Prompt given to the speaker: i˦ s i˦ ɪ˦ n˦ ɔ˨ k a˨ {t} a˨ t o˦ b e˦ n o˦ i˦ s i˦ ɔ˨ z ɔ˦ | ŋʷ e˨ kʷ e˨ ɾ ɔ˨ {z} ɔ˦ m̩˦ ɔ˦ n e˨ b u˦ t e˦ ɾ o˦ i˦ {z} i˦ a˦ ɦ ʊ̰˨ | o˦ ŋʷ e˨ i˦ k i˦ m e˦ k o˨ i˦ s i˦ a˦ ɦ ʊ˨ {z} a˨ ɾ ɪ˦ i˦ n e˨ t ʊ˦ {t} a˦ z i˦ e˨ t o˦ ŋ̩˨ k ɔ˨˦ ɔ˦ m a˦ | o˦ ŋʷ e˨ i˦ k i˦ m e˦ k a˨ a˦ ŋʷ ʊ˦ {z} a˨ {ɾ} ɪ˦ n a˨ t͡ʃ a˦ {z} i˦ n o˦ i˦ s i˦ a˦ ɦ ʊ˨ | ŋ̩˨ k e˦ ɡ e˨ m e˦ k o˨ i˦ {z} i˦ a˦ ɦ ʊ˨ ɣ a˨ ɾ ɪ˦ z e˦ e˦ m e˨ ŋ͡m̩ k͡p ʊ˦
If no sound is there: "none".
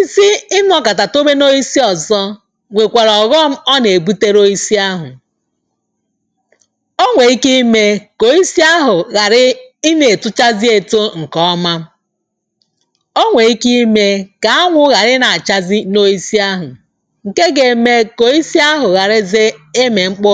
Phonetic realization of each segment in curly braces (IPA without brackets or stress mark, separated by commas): t, ɣ, s, ɣ, t͡ʃ, ɣ, ɾ, z, s